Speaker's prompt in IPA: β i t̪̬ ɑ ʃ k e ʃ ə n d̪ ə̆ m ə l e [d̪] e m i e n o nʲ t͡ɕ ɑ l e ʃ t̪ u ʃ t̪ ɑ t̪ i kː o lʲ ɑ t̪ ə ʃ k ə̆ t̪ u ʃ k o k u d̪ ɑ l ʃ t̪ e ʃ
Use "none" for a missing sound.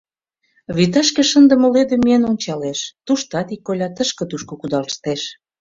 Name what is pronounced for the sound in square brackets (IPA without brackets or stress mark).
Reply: d̪